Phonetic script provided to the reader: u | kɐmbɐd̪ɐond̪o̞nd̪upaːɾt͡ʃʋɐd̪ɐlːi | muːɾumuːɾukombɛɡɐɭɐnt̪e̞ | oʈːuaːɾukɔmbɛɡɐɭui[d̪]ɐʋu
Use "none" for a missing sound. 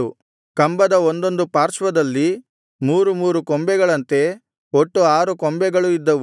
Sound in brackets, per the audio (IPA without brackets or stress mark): d̪ː